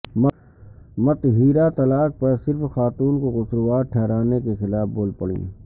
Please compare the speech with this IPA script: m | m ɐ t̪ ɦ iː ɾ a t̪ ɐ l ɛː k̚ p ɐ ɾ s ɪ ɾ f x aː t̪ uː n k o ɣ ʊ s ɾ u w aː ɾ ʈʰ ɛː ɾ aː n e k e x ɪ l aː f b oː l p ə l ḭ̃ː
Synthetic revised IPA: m | m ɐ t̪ ɦ iː ɾ a t̪ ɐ l aː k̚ p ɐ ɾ s ɪ ɾ f x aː t̪ uː n k o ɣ ʊ s ɾ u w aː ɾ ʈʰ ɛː ɾ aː n e k e x ɪ l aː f b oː l p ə ɽ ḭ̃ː